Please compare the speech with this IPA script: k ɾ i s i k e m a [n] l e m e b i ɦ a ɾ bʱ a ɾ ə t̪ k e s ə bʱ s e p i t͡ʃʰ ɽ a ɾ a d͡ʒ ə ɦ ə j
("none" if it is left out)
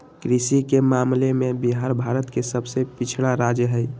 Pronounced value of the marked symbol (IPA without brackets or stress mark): m